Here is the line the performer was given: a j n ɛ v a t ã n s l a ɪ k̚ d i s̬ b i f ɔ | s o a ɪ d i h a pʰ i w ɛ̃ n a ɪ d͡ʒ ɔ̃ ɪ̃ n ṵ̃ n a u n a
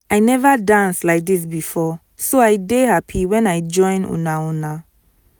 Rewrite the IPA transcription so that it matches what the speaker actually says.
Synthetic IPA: a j n ɛ v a d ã n s l a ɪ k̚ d i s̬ b i f ɔ | s o a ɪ d e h a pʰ i w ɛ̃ n a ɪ d͡ʒ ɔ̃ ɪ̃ n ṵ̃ n a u n a